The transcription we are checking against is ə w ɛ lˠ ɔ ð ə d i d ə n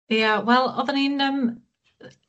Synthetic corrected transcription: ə w ɛ lˠ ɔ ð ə n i n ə m